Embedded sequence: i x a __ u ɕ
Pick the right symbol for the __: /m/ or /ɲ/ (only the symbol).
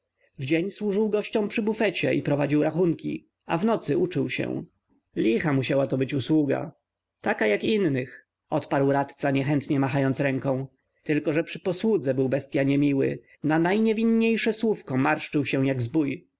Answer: m